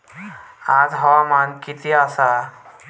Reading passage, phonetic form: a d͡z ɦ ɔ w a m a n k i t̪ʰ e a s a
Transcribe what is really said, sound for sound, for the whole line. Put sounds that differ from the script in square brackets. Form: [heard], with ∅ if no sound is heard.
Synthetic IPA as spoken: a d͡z ɦ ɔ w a m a n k i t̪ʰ [i] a s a